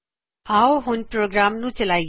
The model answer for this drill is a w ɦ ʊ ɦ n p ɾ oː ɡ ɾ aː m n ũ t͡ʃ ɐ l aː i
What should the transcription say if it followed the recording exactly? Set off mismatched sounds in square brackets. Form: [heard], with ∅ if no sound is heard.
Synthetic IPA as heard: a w ɦ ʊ [∅] n p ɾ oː ɡ ɾ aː m n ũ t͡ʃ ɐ l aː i